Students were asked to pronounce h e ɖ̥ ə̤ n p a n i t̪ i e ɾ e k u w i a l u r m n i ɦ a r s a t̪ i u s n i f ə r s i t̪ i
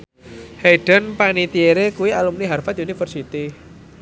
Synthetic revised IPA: h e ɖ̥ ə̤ n p a n i t̪ i e ɾ e k u w i a l u m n i ɦ a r f a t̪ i u n i f ə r s i t̪ i

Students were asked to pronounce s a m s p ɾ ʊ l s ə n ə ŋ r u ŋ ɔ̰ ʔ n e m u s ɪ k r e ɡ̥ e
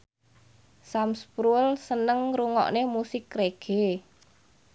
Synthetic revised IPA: s a m s p ɾ u l s ə n ə ŋ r u ŋ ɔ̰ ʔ n e m u s ɪ k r e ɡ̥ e

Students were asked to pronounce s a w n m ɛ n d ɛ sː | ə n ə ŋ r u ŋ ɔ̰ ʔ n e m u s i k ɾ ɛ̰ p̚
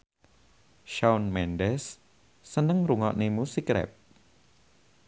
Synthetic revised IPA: ʃ a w n m ɛ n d ɛ sː | ə n ə ŋ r u ŋ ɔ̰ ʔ n e m u s i k ɾ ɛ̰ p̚

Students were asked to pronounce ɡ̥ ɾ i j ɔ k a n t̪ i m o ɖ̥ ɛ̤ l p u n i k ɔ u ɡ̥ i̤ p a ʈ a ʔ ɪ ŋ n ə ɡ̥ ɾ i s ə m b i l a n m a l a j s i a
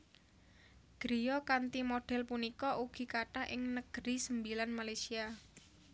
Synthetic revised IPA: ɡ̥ ɾ i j ɔ k a n t̪ i m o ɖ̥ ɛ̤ l p u n i k ɔ u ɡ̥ i̤ k a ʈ a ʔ ɪ ŋ n ə ɡ̥ ɾ i s ə m b i l a n m a l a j s i a

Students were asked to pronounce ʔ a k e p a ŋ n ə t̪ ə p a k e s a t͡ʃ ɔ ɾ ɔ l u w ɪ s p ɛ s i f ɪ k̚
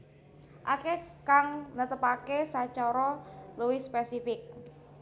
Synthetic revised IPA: ʔ a k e k a ŋ n ə t̪ ə p a k e s a t͡ʃ ɔ ɾ ɔ l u w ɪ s p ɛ s i f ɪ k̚

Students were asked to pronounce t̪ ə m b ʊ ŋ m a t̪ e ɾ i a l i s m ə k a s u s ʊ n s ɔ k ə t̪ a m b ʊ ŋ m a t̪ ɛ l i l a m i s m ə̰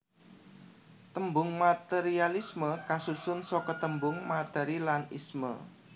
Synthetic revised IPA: t̪ ə m b ʊ ŋ m a t̪ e ɾ i a l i s m ə k a s u s ʊ n s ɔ k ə t̪ ə m b ʊ ŋ m a t̪ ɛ ɾ i l a n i s m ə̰

